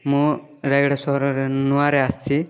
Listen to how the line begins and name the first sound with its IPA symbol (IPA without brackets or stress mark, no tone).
m